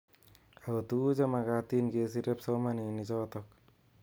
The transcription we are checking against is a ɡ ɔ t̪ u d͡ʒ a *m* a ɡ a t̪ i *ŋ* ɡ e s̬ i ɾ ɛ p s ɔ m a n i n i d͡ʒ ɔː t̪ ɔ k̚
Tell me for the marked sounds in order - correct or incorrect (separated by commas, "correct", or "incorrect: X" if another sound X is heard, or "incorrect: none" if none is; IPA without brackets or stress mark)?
correct, incorrect: n